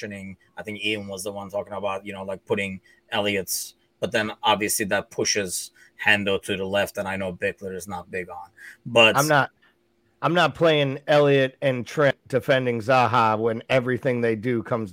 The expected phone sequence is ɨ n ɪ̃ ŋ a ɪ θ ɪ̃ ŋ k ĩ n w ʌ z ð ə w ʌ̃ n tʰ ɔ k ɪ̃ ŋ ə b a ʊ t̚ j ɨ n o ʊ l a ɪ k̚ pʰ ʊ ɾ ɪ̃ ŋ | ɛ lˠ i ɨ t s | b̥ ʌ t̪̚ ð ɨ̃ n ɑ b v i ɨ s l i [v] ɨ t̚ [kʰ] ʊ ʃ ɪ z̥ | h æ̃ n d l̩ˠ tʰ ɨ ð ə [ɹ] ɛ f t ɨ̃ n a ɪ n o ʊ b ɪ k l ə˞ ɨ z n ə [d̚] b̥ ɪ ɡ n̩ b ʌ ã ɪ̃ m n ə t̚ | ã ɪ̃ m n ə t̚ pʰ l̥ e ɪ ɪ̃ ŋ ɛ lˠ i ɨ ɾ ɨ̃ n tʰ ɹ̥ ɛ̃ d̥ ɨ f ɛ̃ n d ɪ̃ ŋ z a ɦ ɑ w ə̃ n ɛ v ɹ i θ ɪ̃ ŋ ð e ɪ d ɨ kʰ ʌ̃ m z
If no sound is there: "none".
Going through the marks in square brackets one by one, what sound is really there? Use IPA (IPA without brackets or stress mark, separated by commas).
ð, pʰ, l, t̚